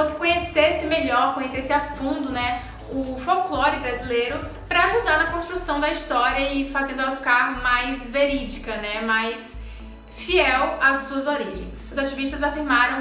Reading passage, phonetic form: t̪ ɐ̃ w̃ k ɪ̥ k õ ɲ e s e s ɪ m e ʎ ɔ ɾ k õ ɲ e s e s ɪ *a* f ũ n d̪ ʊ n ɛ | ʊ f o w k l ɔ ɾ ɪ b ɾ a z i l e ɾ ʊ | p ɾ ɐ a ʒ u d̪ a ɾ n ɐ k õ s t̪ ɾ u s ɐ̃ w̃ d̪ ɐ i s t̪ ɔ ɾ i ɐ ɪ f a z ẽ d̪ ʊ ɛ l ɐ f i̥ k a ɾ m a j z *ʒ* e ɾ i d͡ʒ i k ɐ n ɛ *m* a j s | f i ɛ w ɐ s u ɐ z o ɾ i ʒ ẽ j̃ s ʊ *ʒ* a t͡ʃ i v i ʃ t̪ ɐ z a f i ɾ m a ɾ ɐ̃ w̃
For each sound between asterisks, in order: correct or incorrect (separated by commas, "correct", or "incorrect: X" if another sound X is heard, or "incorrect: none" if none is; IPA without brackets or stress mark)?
correct, incorrect: v, correct, incorrect: z